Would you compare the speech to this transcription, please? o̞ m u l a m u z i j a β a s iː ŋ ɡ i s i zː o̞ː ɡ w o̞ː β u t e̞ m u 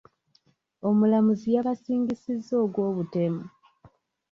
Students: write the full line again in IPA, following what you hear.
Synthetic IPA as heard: o̞ m u l a m u z i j a β a s iː ŋ ɡ i s i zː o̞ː ɡ w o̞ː β u t e̞ m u